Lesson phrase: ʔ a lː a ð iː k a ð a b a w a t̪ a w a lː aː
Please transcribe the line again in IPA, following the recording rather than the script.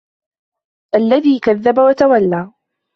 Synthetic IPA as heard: ʔ a lː a ð iː k a ðː a b a w a t̪ a w a lː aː